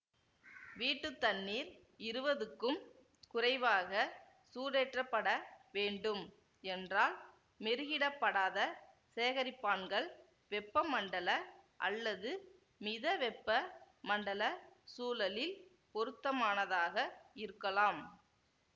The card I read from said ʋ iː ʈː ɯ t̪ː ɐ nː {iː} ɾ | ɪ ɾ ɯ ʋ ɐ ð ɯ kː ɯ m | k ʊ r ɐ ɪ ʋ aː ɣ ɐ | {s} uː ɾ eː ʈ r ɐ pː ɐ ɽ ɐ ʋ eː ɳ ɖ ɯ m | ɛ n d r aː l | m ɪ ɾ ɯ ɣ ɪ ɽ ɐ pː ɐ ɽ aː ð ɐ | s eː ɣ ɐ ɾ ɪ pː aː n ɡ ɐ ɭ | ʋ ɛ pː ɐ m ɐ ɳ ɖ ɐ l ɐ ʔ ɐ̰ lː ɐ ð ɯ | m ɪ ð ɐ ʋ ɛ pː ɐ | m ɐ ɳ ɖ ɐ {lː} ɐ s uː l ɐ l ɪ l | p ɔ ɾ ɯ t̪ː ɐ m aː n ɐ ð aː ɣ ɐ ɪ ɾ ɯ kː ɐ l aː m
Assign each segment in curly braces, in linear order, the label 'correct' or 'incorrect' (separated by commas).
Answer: correct, correct, incorrect